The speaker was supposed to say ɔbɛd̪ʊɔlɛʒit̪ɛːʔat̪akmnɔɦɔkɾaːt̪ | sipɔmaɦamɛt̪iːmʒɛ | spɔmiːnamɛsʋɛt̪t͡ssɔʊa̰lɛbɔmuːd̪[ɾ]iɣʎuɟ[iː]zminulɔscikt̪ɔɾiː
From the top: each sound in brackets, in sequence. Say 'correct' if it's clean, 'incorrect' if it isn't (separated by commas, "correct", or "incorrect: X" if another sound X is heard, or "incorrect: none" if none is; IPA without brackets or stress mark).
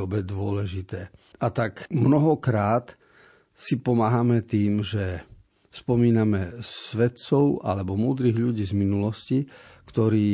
correct, correct